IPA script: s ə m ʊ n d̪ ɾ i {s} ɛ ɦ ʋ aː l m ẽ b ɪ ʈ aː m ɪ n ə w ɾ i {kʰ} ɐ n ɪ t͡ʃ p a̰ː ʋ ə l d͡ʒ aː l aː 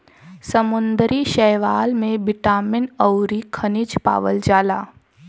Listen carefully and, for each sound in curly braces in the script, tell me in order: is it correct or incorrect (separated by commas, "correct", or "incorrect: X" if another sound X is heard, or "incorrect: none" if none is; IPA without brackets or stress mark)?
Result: incorrect: ʃ, correct